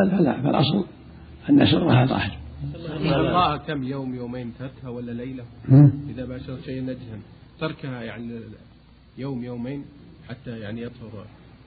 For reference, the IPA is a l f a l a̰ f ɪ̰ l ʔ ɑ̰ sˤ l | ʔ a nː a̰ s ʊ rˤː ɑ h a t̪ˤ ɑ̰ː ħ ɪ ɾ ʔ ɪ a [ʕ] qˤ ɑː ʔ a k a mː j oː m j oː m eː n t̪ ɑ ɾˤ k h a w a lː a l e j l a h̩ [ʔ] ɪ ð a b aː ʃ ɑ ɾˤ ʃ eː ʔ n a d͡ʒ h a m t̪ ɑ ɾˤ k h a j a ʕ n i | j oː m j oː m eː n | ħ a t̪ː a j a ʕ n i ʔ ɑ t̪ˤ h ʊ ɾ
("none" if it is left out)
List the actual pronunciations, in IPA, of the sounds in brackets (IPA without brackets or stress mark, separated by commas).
none, ʔ